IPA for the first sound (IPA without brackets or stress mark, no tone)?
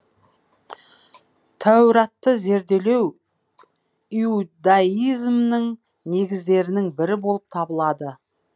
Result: t̪ʰ